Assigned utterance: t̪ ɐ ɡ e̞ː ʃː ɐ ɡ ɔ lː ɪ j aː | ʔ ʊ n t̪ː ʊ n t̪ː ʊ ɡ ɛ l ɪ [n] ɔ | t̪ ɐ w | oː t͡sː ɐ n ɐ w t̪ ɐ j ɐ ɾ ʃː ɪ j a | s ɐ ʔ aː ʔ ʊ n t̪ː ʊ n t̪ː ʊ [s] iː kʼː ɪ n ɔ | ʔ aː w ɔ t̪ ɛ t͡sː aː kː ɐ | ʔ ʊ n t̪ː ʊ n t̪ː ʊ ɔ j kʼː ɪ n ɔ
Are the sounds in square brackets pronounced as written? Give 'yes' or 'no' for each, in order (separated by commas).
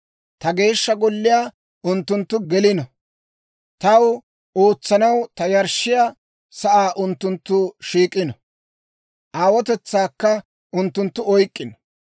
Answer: yes, no